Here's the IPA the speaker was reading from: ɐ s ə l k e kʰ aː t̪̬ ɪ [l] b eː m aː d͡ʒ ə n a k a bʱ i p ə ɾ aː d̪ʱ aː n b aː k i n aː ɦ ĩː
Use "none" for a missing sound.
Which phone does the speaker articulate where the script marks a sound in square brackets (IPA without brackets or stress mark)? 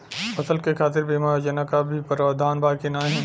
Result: ɾ